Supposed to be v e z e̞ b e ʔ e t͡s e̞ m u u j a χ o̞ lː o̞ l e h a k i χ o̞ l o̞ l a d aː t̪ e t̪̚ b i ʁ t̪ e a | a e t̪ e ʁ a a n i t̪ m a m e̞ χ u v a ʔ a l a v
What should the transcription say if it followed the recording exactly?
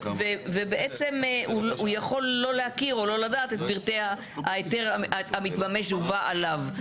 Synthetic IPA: v e v e̞ b e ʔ e t͡s e̞ m u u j a χ o̞ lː o̞ l e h a k i ʁ o̞ l o̞ l a d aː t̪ e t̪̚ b i ʁ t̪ e a | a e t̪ e ʁ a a m i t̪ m a m e̞ ʃ u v a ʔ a l a v